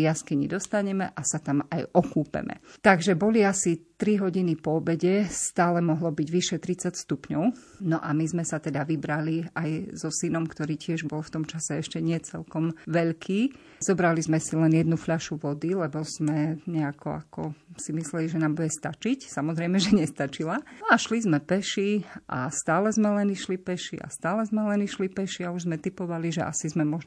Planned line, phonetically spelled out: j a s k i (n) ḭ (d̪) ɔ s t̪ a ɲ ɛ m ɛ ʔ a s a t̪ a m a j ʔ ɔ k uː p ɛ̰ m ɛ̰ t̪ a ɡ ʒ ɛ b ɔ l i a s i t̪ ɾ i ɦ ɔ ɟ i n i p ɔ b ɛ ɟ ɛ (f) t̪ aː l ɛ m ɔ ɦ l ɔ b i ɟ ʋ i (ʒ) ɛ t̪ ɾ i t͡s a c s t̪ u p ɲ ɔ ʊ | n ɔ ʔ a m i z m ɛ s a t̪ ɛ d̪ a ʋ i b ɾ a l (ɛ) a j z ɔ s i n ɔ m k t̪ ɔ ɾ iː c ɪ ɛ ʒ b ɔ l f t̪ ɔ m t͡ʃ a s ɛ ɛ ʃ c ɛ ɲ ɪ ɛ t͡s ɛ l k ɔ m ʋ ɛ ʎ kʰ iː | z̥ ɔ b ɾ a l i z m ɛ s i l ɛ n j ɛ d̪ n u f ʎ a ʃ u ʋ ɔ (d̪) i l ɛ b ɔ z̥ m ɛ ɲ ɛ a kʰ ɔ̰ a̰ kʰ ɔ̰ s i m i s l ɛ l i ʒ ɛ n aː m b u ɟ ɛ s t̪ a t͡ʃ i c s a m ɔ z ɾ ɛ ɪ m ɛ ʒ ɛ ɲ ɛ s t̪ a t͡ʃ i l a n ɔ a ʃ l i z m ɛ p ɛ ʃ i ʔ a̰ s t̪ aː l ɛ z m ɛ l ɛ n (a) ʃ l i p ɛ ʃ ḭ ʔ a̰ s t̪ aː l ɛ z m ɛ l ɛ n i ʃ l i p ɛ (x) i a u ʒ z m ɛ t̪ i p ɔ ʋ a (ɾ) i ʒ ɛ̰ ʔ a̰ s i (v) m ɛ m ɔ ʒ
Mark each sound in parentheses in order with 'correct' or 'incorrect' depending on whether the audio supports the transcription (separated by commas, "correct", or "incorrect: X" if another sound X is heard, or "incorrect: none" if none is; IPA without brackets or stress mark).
incorrect: ɲ, correct, incorrect: s, incorrect: ʃ, incorrect: i, correct, incorrect: i, incorrect: ʃ, incorrect: l, incorrect: z